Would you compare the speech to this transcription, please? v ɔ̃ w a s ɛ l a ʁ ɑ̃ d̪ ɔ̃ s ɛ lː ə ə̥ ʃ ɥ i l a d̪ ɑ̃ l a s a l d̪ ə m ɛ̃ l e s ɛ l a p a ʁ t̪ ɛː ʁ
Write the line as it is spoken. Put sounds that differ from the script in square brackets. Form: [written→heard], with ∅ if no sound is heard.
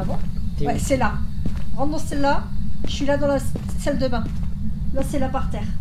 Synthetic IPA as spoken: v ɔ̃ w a s ɛ l a ʁ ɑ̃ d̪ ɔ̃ s ɛ lː [ə→a] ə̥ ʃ ɥ i l a d̪ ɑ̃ l a s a l d̪ ə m ɛ̃ l [e→a] s ɛ l a p a ʁ t̪ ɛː ʁ